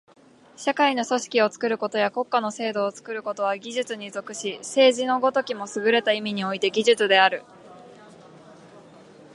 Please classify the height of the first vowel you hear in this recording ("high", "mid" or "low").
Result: low